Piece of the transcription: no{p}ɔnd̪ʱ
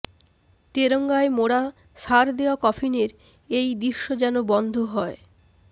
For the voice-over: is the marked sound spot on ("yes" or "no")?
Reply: no